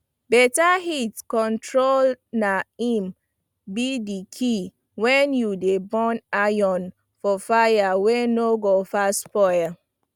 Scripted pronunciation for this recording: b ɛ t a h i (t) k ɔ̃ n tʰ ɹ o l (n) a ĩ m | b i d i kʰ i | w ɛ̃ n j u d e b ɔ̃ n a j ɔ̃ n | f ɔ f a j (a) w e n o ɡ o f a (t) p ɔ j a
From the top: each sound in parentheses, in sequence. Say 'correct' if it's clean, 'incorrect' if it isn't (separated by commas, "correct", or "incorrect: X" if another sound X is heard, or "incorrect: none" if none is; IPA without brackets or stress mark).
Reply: correct, correct, correct, incorrect: s